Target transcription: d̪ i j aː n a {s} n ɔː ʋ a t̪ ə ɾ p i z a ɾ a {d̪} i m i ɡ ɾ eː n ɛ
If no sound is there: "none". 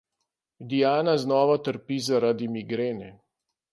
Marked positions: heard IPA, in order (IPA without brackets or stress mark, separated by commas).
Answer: z, d̪